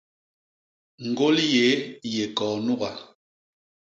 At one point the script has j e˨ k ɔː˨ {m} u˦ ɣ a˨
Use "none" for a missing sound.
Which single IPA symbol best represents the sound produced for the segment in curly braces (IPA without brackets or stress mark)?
n